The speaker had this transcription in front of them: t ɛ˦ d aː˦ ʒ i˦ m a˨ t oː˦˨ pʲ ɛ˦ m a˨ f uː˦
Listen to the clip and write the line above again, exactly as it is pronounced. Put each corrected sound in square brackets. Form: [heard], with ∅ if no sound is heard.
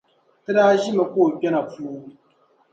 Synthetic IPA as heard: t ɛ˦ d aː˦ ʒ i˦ m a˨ [k] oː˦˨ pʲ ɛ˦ [n] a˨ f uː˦